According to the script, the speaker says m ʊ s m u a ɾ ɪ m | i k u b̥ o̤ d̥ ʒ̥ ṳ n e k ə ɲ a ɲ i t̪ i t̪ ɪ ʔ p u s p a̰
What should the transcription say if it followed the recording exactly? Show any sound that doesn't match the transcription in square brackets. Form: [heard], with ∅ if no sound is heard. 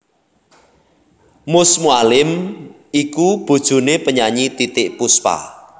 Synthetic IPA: m ʊ s m u a [l] ɪ m | i k u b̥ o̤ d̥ ʒ̥ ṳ n e [p] ə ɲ a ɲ i t̪ i t̪ ɪ ʔ p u s p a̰